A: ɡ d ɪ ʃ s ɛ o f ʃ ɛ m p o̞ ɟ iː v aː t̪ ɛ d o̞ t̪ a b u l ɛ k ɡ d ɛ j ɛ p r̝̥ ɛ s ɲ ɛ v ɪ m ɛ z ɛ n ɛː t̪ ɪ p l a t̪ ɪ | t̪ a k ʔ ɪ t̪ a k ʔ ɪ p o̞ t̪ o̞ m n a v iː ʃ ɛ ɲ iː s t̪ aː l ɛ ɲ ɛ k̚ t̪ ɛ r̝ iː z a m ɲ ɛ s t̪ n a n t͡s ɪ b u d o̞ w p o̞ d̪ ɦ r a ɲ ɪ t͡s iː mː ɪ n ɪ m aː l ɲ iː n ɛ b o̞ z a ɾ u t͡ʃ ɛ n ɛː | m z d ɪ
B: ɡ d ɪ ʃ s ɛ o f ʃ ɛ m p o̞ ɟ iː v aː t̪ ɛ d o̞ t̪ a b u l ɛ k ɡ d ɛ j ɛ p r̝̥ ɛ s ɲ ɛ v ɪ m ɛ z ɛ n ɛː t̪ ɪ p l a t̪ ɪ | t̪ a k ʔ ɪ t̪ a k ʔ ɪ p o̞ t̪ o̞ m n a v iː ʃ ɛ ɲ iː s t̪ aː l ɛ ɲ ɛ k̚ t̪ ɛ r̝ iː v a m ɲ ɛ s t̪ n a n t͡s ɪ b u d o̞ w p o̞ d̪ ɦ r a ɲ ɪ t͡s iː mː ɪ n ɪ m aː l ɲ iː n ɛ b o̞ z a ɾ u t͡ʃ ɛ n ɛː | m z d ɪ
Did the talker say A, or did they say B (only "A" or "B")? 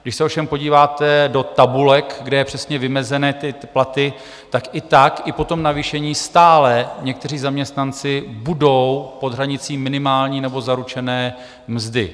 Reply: A